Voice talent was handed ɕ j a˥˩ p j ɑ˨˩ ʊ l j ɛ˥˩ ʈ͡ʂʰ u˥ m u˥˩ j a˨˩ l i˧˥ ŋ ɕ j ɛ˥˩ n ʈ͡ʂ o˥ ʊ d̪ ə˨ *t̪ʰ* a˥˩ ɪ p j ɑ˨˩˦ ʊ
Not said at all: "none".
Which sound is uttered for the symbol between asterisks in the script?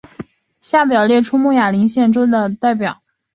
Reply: t̪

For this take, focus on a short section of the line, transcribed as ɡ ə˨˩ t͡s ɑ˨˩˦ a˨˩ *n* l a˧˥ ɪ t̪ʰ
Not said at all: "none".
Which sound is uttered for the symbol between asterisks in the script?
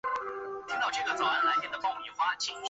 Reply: n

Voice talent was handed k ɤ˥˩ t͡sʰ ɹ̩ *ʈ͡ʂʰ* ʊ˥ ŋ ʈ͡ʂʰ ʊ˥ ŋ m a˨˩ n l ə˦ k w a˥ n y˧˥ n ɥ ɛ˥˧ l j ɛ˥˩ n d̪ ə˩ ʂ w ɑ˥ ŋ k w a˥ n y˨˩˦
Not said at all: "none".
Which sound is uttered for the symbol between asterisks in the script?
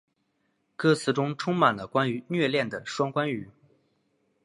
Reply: ʈ͡ʂ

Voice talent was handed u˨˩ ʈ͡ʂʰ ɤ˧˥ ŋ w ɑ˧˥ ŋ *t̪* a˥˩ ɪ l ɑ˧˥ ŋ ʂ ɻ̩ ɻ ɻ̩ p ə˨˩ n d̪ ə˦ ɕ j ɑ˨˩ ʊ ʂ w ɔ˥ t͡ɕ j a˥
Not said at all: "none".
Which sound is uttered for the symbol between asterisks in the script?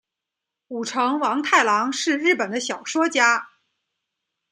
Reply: t̪ʰ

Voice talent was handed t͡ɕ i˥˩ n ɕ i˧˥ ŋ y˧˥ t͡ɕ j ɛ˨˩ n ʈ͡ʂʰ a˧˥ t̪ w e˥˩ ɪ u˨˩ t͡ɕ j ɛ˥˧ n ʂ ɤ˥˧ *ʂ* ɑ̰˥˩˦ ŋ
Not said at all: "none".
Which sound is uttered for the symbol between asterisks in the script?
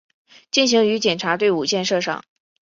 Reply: ʂ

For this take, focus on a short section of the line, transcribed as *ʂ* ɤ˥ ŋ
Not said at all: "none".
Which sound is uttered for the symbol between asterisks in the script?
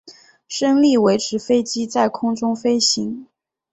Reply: ʂ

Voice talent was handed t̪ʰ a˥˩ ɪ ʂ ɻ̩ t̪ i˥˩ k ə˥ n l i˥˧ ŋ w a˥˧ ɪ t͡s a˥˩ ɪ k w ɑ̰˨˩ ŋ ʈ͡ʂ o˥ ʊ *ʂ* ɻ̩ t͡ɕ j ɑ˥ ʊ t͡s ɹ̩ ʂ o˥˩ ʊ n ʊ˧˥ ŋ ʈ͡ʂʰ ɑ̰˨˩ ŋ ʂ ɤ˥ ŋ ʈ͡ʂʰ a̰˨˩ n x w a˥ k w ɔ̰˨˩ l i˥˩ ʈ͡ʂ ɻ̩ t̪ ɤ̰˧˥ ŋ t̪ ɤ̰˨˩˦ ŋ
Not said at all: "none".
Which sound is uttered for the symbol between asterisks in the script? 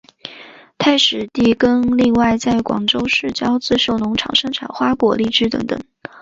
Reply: ʂ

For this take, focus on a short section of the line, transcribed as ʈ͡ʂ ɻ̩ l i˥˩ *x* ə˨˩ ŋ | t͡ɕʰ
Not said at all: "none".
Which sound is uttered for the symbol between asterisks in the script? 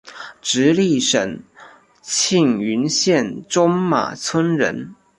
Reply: ʂ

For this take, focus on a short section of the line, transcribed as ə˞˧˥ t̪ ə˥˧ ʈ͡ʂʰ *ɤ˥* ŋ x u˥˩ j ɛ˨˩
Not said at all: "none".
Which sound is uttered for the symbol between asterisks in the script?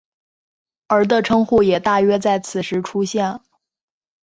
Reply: ɤ˥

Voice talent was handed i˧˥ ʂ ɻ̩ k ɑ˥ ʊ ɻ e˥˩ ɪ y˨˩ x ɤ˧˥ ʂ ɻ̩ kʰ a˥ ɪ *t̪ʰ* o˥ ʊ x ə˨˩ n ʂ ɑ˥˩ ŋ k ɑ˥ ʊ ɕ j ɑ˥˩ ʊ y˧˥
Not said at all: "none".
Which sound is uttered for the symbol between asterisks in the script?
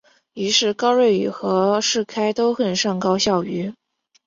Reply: t̪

